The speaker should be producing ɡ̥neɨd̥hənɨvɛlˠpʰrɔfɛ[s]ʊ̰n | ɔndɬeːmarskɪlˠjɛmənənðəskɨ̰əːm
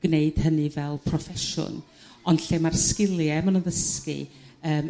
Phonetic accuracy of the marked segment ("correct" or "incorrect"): incorrect